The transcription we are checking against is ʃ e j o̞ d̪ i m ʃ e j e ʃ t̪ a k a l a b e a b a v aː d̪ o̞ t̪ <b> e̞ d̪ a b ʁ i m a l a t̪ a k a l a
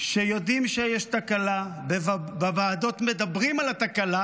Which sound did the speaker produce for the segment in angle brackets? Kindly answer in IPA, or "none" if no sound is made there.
m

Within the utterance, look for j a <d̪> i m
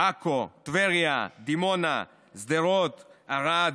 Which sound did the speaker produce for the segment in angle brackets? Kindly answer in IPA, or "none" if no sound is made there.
d̪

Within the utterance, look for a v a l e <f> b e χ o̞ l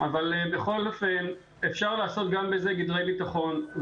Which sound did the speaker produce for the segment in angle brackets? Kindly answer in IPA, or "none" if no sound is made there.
none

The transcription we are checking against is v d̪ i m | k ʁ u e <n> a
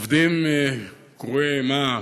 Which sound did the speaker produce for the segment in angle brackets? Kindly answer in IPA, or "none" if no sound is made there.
m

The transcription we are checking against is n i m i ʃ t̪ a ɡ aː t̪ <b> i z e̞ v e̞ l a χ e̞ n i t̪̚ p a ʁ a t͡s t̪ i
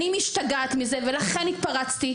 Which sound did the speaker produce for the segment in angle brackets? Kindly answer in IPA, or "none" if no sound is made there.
m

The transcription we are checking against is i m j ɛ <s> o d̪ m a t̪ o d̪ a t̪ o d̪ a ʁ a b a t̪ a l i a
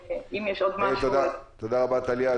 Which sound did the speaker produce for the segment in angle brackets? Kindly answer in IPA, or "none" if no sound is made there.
ʃ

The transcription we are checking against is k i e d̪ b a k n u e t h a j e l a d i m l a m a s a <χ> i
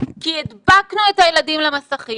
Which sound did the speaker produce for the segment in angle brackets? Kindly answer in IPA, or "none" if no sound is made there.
χ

